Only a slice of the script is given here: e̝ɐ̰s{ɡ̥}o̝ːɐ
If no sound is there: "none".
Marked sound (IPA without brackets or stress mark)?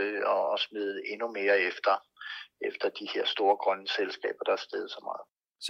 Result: d̥